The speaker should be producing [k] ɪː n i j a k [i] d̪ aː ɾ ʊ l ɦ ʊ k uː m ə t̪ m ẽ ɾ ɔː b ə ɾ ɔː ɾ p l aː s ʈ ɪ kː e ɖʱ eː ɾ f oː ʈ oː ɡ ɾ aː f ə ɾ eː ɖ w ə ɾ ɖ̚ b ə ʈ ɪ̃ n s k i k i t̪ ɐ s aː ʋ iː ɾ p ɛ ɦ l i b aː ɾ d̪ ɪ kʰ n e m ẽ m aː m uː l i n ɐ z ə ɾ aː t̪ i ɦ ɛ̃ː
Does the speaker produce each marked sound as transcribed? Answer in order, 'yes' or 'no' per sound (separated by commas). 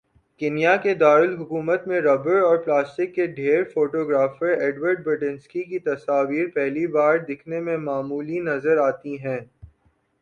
yes, no